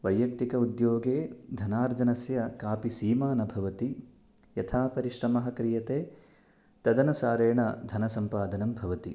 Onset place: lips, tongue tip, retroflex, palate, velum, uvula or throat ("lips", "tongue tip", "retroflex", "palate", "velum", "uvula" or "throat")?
lips